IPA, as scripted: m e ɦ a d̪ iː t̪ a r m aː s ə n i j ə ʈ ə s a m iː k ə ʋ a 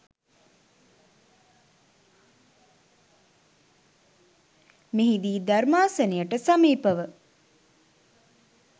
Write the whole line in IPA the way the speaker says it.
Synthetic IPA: m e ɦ i d̪ iː d̪ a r m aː s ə n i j ə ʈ ə s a m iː p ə ʋ ə